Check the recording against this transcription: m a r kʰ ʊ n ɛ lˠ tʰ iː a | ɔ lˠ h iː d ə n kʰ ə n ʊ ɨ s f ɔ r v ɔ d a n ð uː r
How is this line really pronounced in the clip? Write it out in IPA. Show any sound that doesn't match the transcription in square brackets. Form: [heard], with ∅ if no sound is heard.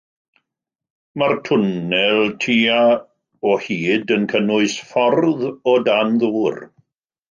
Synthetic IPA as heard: m a r [tʰ] ʊ n ɛ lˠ tʰ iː a | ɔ [∅] h iː d ə n kʰ ə n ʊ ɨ s f ɔ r [ð] ɔ d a n ð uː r